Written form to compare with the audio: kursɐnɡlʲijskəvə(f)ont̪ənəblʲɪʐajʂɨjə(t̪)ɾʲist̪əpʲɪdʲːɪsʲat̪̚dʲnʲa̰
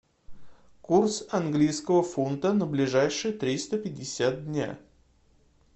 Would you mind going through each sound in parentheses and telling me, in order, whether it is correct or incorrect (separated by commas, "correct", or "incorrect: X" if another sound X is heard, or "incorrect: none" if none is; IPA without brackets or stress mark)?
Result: correct, correct